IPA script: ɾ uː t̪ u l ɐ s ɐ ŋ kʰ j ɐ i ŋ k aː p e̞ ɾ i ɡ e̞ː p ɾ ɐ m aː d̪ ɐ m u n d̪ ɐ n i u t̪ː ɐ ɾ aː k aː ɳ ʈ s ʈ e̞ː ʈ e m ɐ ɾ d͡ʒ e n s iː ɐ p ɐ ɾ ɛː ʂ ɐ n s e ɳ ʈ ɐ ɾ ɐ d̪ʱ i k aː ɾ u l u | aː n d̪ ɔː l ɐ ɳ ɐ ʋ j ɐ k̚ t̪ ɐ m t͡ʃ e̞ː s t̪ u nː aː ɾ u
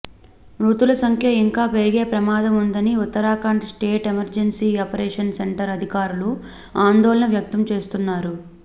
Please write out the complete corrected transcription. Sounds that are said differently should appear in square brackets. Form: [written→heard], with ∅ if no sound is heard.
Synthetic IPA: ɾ uː t̪ u l ɐ s ɐ ŋ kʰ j ɐ i ŋ k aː p e̞ ɾ i ɡ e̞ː p ɾ ɐ m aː d̪ ɐ m u n d̪ ɐ n i u t̪ː ɐ ɾ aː k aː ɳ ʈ s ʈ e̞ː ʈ e m ɐ ɾ d͡ʒ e n s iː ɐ p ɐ ɾ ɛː ʂ ɐ n s e ɳ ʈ ɐ ɾ ɐ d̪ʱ i k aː ɾ u l u | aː n d̪ ɔː l ɐ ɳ ɐ ʋ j ɐ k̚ t̪ ɐ m t͡ʃ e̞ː s t̪ u nː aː ɾ u